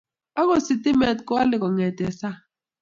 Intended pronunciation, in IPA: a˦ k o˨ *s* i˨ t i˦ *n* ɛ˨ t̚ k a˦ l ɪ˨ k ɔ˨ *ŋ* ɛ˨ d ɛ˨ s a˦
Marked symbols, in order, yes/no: yes, no, yes

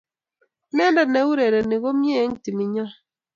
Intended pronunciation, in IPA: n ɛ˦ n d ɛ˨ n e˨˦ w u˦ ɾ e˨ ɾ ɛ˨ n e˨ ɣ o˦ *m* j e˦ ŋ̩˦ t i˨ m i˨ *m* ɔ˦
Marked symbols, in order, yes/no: yes, no

